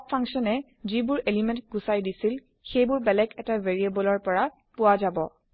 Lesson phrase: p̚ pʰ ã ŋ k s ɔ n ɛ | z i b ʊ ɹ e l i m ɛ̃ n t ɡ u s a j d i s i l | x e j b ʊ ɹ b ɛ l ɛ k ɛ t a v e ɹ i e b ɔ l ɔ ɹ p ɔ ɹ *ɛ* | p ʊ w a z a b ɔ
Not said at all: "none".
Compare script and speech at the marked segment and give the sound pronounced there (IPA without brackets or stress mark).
a